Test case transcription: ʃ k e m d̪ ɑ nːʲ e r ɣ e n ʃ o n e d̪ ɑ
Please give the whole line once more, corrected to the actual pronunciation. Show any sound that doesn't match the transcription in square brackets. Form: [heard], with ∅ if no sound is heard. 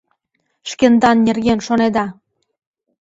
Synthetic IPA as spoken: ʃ k e [n] d̪ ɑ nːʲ e r ɣ e n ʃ o n e d̪ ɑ